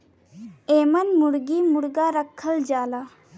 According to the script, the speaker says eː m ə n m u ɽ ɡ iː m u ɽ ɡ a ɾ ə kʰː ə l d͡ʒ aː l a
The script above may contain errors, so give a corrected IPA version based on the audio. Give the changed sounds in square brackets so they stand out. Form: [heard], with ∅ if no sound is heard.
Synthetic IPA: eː m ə n m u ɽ ɡ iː m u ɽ ɡ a ɾ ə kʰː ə l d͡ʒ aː l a

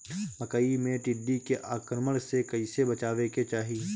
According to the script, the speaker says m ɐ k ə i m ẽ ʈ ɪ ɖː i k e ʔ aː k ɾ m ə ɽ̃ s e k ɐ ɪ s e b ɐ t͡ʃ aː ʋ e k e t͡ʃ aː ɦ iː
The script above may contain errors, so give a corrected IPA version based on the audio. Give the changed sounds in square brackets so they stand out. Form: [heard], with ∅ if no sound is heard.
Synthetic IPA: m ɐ k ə i m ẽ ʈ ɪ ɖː i k e ʔ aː k ɾ m ə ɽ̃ s e k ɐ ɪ s e b ɐ t͡ʃ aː ʋ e k e t͡ʃ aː ɦ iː

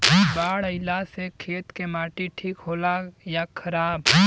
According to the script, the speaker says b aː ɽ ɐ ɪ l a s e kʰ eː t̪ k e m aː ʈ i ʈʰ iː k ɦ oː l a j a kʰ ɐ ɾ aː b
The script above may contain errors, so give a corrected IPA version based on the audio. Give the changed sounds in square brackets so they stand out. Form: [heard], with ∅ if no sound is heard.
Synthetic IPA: b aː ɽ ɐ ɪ l a s e kʰ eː t̪ k e m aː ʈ i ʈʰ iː k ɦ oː l a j a kʰ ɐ ɾ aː b

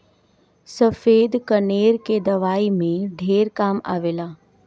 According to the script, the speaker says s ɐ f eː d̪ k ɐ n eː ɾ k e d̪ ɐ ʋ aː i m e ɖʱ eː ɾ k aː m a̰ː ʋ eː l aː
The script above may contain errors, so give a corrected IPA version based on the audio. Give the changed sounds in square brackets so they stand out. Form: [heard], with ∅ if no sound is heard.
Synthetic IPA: s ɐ f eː d̪ k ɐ n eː ɾ k e d̪ ɐ ʋ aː i m [ẽ] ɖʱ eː ɾ k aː m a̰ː ʋ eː l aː

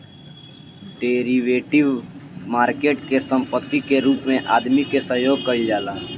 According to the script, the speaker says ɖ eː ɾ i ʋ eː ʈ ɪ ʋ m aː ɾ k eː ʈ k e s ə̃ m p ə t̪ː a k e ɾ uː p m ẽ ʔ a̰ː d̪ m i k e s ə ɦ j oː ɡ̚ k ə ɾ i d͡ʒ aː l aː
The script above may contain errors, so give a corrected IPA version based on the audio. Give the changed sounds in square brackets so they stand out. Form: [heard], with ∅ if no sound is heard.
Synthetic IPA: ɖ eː ɾ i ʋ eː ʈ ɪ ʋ m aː ɾ k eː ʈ k e s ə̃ m p ə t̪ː [i] k e ɾ uː p m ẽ ʔ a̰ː d̪ m i k e s ə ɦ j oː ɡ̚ k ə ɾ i d͡ʒ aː l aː

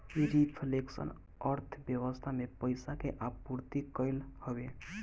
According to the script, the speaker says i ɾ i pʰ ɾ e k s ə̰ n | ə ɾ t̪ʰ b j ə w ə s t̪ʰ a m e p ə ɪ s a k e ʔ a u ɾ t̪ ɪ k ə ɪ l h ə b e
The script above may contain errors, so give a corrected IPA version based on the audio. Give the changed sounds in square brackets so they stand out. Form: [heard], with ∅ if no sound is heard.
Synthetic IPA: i ɾ i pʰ [l] e k s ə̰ n | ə ɾ t̪ʰ b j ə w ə s t̪ʰ a m e p ə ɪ s a k e ʔ a u ɾ t̪ [i] k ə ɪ l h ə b e

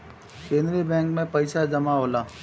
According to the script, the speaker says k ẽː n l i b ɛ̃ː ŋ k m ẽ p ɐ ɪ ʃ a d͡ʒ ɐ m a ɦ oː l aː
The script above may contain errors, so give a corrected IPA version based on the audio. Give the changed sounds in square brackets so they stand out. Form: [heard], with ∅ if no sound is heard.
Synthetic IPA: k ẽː n [ɾ] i b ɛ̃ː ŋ k m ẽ p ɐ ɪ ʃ a d͡ʒ ɐ m a ɦ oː l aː

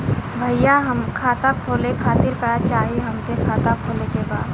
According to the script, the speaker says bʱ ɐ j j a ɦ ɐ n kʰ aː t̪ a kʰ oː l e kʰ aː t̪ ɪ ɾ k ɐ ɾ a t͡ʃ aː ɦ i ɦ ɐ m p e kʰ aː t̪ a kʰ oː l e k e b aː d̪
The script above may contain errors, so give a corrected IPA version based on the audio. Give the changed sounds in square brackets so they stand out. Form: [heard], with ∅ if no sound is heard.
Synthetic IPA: bʱ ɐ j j a ɦ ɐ [m] kʰ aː t̪ a kʰ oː l e kʰ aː t̪ ɪ ɾ k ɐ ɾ a t͡ʃ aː ɦ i ɦ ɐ m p e kʰ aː t̪ a kʰ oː l e k e b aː d̪

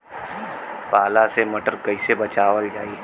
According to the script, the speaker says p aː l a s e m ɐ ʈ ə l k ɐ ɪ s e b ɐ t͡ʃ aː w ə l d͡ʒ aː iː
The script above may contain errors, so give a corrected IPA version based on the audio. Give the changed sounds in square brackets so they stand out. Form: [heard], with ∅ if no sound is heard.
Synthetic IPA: p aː l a s e m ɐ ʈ ə [ɾ] k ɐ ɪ s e b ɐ t͡ʃ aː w ə l d͡ʒ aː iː

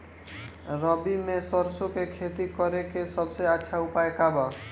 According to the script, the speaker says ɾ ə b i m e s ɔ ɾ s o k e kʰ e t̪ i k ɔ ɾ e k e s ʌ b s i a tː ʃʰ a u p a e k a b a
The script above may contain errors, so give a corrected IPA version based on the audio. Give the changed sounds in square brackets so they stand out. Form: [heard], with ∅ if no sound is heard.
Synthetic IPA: ɾ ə b i m e s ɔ ɾ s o k e kʰ e t̪ i k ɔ ɾ e k e s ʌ b s [e] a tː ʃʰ a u p a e k a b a

